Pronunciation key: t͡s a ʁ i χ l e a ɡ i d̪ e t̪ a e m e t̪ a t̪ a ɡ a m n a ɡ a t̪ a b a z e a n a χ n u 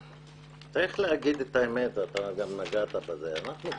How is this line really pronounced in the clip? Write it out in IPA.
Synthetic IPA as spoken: t͡s a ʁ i χ l e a ɡ i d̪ e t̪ a e m e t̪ a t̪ a ɡ a m n a ɡ a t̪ a b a z e a n a χ n u